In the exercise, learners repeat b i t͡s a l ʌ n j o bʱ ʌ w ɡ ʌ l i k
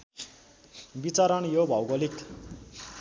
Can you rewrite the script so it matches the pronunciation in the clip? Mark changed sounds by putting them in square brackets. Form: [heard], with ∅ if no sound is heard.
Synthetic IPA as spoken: b i t͡s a [ɾ] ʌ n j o bʱ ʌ w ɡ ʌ l i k